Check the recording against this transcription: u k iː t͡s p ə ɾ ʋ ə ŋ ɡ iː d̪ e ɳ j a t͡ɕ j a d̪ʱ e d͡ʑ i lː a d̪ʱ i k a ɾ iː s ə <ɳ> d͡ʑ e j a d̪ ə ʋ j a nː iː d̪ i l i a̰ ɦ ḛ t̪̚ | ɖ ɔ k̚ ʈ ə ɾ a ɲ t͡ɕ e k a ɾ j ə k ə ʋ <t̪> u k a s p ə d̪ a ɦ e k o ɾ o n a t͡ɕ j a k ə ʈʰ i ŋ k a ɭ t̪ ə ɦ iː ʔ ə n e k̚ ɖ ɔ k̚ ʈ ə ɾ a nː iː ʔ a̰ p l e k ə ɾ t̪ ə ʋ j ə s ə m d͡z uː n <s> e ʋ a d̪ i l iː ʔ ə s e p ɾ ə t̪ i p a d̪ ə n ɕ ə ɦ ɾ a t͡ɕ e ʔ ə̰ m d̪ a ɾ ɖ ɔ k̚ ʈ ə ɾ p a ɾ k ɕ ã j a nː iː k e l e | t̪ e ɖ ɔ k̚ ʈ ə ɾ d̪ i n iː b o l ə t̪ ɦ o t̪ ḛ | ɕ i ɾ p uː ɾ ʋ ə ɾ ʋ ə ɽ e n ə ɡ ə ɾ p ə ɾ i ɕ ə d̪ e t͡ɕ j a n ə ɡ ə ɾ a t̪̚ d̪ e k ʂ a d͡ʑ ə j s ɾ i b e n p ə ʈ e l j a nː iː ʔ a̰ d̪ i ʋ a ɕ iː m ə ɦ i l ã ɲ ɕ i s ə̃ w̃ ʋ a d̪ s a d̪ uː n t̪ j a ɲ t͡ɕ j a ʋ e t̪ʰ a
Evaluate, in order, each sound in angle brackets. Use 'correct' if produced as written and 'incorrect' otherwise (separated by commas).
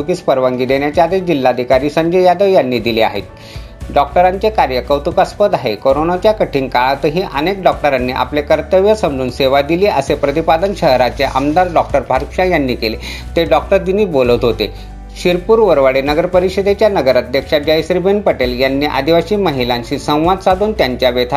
incorrect, correct, correct